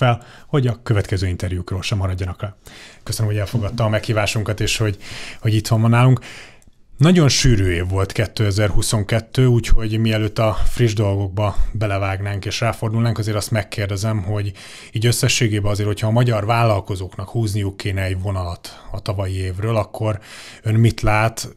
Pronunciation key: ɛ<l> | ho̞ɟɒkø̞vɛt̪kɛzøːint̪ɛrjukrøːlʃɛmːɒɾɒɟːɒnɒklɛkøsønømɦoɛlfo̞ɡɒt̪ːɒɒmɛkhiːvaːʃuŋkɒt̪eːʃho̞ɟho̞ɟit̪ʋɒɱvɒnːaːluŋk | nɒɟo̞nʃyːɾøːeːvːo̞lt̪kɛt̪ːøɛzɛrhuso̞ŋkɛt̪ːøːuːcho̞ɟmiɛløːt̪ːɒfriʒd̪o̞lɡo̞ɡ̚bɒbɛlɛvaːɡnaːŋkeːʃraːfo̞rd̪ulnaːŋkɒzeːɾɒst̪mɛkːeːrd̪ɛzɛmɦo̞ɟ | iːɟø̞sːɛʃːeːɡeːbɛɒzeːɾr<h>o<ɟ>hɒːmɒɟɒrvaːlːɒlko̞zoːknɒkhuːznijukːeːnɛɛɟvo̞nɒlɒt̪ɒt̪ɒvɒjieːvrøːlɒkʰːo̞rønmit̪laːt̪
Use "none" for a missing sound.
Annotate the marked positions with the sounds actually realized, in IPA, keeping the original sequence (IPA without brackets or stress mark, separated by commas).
l, h, c